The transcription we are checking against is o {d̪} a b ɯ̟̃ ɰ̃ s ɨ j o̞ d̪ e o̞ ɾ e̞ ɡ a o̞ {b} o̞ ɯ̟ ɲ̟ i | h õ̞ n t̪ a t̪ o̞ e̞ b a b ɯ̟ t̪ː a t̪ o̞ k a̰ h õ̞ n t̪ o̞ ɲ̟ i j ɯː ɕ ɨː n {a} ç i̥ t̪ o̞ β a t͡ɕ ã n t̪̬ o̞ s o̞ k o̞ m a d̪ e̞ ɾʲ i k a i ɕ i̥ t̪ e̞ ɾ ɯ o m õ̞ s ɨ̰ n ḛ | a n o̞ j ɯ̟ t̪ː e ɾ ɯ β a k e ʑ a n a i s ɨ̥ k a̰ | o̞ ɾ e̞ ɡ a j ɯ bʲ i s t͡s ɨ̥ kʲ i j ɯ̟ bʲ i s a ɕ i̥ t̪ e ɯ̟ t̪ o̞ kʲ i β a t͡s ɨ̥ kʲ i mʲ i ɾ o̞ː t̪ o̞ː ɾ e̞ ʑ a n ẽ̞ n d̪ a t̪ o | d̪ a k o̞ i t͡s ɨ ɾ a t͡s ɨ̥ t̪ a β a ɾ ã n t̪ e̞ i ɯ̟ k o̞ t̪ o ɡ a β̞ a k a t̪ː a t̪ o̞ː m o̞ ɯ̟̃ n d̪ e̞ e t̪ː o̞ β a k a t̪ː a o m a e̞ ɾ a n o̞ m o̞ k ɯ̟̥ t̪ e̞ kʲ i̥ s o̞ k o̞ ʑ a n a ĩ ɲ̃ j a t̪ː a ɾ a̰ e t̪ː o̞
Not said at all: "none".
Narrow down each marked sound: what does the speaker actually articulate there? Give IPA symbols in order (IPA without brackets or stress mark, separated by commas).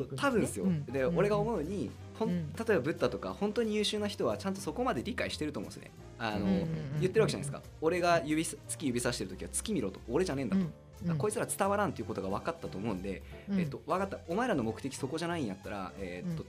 t̪, m, a